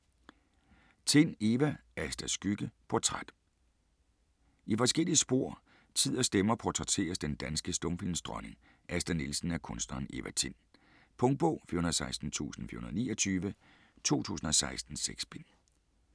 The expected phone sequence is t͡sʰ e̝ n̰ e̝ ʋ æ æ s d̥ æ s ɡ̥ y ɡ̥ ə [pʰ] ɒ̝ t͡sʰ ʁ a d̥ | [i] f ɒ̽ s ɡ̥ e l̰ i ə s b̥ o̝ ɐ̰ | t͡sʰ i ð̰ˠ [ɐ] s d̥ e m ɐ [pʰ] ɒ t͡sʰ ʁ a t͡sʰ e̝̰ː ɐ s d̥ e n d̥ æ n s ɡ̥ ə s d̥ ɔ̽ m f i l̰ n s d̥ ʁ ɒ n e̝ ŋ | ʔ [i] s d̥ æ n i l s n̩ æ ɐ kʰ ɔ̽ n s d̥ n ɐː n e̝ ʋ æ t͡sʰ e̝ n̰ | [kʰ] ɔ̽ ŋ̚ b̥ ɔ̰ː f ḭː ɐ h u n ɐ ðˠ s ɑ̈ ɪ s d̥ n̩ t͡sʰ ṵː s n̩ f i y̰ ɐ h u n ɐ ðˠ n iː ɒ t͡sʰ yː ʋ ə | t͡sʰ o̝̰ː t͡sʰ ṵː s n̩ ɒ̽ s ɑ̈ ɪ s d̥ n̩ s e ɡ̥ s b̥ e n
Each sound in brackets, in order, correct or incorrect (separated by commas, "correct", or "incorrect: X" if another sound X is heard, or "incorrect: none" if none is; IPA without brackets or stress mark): correct, correct, correct, correct, incorrect: æ, incorrect: pʰ